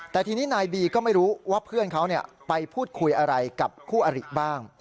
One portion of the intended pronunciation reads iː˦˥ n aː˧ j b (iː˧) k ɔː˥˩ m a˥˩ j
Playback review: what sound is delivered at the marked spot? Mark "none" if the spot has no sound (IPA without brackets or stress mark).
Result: iː˧